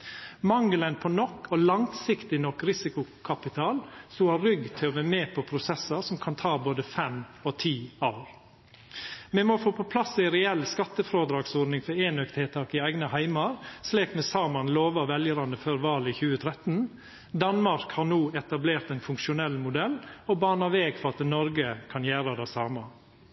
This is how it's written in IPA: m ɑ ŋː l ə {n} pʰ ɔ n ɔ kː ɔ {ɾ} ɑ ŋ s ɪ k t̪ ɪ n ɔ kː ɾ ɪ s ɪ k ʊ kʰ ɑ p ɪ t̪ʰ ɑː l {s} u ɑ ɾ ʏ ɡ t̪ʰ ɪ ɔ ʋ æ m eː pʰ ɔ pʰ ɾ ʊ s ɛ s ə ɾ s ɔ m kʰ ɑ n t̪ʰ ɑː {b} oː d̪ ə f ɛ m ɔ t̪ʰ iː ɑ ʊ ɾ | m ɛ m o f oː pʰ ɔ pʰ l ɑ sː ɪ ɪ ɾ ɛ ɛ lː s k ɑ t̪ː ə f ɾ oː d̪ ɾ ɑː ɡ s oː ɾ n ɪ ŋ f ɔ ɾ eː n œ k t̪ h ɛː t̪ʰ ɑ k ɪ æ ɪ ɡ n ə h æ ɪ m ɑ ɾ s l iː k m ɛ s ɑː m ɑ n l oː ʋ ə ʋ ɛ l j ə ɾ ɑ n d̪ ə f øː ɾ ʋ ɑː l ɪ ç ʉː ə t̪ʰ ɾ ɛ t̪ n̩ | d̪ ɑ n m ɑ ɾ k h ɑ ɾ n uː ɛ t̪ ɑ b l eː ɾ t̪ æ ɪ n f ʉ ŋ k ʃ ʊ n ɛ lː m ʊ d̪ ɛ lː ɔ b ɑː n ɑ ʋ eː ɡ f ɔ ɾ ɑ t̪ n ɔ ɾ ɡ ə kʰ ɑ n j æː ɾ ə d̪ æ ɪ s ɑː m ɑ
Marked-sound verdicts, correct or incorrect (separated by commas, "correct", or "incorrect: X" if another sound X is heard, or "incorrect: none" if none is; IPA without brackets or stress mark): correct, incorrect: l, correct, correct